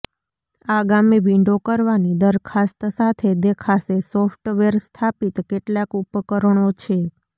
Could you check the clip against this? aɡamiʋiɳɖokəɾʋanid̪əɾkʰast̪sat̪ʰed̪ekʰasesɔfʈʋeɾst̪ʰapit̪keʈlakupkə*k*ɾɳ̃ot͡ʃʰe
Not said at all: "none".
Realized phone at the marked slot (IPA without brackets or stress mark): none